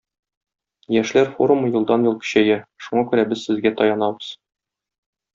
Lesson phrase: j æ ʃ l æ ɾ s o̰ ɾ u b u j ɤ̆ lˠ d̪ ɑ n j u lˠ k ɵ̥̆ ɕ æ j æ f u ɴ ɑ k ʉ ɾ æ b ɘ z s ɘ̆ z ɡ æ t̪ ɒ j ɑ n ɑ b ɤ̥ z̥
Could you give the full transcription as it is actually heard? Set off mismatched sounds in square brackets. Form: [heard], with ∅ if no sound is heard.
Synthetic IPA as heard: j æ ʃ l æ ɾ [f] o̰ ɾ u [m] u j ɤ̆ lˠ d̪ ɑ n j u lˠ k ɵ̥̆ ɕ æ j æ [ʃ] u ɴ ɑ k ʉ ɾ æ b ɘ z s ɘ̆ z ɡ æ t̪ ɒ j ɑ n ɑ b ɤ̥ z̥